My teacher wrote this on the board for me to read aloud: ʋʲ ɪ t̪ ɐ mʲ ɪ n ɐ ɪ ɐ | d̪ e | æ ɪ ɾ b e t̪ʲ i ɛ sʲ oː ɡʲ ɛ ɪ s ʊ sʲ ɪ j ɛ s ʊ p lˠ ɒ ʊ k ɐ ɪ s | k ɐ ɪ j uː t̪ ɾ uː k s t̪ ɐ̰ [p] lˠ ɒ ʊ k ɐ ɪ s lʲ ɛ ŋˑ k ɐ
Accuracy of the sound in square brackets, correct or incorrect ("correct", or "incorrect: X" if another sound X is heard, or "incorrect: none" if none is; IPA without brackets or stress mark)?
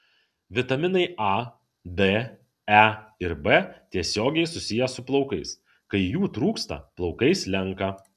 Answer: correct